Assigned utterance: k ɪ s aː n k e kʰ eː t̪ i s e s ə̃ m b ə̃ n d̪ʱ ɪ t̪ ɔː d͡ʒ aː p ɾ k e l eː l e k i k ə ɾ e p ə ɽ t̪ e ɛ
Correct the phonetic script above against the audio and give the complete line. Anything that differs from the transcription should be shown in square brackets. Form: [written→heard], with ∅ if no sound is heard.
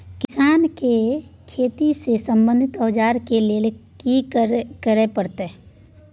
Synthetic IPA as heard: k ɪ s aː n k e kʰ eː t̪ i s e s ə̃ m b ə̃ n d̪ʱ ɪ t̪ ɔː d͡ʒ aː [p→∅] ɾ k e l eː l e k i k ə ɾ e p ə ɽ t̪ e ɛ